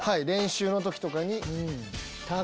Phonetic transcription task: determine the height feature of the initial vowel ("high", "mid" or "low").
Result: low